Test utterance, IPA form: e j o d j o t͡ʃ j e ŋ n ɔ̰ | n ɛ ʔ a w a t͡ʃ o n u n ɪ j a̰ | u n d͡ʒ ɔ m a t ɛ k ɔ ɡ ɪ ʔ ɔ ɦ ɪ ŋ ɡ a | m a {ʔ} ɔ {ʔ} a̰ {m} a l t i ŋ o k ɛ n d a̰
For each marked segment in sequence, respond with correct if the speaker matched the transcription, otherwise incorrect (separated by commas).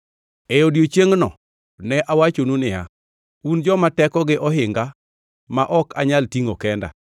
correct, incorrect, incorrect